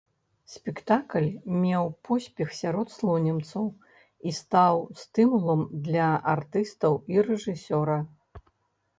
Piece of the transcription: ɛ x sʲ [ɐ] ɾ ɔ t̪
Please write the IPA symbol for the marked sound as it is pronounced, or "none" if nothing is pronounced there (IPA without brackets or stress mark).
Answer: a